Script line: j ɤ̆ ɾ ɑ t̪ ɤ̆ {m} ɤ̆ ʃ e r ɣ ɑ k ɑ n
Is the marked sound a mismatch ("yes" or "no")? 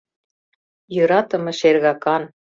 no